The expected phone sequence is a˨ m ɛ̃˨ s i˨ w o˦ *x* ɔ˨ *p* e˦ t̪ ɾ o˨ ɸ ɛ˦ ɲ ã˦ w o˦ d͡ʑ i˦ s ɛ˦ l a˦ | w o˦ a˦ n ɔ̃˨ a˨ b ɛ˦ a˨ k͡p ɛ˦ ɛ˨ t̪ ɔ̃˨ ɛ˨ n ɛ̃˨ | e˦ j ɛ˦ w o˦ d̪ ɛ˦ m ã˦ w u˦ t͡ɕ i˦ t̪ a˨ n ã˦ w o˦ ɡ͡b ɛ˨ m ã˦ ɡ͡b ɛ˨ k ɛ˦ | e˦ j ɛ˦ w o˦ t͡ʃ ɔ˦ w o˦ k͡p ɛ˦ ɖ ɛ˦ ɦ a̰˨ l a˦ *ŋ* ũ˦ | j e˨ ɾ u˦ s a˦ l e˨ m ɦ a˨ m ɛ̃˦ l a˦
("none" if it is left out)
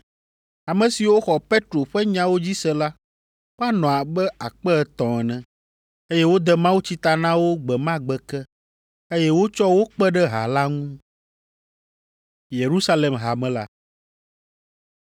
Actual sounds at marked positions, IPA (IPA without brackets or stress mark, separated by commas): x, p, ŋ